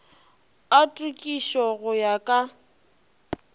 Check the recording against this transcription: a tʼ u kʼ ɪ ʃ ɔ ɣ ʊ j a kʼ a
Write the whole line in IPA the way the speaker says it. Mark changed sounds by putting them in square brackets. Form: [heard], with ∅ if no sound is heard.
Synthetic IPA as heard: a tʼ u kʼ [i] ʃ ɔ ɣ ʊ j a kʼ a